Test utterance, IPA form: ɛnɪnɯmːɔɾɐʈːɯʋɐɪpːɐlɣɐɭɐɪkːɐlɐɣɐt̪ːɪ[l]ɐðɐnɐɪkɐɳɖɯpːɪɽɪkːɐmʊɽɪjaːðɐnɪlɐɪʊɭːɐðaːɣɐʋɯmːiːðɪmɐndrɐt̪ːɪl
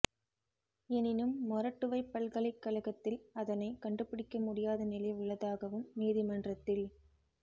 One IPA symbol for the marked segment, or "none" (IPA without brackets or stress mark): l